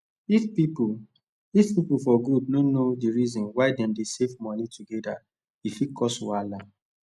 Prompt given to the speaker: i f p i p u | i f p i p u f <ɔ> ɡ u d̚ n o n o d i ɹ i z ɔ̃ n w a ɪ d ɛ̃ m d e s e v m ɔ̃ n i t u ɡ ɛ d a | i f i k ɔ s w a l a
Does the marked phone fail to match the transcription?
no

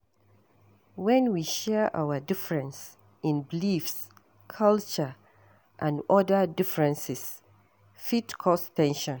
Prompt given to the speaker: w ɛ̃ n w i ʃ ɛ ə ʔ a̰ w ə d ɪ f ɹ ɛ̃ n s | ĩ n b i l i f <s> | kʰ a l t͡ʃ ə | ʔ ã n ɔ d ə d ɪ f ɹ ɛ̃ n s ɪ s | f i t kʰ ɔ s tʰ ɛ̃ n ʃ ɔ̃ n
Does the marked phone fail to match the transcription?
no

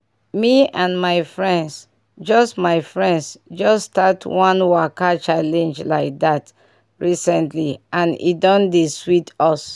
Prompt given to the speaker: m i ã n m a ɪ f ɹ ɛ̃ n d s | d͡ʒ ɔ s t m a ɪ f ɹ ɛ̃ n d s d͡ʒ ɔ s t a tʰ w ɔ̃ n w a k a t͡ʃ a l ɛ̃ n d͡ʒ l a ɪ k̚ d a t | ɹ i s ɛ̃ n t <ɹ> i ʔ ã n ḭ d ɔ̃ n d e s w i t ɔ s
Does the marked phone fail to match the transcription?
yes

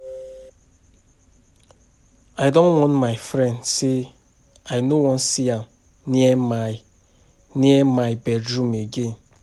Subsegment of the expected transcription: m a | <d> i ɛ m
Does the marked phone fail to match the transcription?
yes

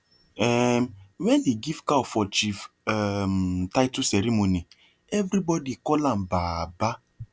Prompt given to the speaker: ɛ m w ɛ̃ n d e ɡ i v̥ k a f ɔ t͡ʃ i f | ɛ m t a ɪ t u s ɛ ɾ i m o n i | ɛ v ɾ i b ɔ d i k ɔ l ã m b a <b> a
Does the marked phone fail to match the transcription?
no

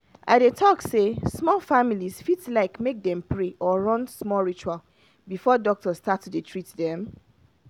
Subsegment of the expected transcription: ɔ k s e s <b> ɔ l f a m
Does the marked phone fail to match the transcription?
yes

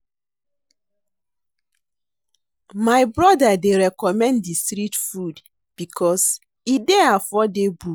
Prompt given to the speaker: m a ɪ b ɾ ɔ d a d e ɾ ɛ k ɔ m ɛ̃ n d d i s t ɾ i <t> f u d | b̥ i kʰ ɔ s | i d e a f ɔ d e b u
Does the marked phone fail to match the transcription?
no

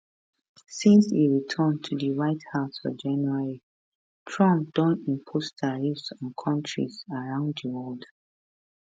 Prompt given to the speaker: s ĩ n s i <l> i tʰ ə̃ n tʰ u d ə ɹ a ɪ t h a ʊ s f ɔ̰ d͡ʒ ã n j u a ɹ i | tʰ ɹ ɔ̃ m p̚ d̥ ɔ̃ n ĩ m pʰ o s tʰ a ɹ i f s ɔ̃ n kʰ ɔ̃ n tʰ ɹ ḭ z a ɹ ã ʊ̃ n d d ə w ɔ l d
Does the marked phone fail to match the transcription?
yes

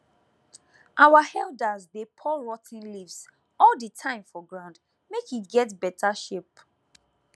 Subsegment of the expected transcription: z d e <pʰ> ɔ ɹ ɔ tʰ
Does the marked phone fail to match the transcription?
no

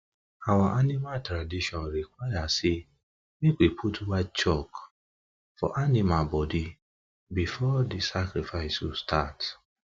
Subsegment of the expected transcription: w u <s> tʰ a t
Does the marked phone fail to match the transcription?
no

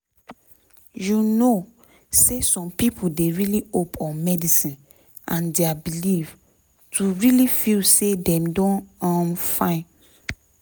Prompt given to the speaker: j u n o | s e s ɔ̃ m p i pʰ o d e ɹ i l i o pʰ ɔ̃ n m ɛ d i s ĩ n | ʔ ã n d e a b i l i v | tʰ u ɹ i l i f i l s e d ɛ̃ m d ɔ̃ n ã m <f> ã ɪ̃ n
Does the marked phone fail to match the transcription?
no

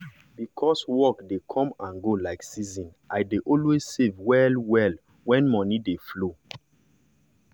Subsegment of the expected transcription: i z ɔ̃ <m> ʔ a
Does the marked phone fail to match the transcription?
yes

